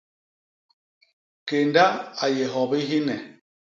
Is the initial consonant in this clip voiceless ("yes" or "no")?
yes